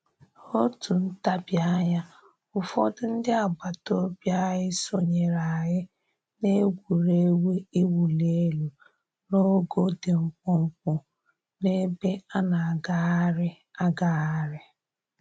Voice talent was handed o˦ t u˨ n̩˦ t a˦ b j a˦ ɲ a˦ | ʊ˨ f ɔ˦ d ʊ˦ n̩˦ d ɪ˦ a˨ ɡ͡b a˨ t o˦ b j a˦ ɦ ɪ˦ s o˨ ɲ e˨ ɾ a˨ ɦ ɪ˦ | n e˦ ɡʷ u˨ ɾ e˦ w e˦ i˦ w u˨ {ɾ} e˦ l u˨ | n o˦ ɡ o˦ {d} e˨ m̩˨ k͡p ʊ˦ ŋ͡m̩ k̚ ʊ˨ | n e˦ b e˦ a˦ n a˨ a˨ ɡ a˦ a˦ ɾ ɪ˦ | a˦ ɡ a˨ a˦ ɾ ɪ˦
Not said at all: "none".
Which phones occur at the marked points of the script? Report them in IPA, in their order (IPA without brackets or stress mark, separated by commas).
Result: l, d